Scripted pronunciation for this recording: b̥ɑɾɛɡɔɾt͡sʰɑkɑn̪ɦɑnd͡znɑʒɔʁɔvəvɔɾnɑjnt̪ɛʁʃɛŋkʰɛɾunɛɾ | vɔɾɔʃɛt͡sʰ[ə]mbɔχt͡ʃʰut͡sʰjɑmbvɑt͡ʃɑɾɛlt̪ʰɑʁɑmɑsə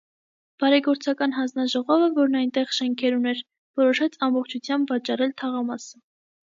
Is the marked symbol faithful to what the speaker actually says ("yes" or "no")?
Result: no